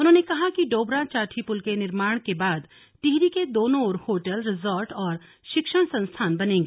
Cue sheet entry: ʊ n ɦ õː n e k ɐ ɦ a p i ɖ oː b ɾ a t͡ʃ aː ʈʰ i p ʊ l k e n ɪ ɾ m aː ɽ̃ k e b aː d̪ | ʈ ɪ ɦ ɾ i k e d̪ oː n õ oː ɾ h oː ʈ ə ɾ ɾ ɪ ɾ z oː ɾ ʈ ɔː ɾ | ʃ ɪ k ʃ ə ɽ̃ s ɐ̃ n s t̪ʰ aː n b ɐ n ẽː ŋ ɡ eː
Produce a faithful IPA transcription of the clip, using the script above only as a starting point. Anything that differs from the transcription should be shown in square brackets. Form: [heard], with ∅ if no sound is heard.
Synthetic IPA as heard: ʊ n ɦ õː n e k ɐ ɦ a [k] i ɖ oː b ɾ a t͡ʃ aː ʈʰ i p ʊ l k e n ɪ ɾ m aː ɽ̃ k e b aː d̪ | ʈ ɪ ɦ ɾ i k e d̪ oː n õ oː ɾ h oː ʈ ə [l] ɾ ɪ [∅] z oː ɾ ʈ ɔː ɾ | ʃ ɪ k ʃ ə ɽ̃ s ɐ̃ n s t̪ʰ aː n b ɐ n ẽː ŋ ɡ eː